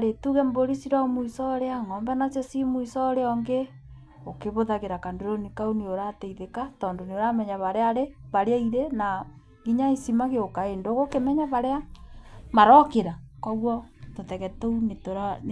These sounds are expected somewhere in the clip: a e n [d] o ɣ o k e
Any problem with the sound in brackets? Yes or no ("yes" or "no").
no